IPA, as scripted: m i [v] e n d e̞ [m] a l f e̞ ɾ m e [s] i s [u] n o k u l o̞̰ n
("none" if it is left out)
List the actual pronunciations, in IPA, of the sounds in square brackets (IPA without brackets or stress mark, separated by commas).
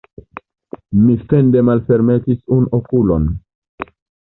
f, m, t, u